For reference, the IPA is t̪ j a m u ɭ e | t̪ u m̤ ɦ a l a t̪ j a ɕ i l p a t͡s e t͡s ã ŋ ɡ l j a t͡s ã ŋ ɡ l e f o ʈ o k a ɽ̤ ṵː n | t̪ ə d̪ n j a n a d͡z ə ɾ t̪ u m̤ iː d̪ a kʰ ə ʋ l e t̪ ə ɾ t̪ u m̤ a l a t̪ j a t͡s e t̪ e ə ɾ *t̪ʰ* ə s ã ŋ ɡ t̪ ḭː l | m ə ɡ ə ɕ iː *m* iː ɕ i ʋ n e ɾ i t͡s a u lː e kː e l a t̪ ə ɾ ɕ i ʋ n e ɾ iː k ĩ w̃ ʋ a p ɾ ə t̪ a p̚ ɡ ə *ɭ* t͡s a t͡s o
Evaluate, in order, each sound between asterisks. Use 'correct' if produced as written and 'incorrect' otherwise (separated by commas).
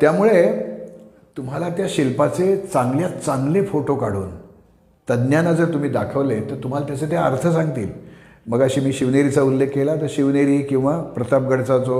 correct, correct, incorrect